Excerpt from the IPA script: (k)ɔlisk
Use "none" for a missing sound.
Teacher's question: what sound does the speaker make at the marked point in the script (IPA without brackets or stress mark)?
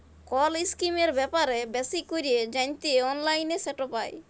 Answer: k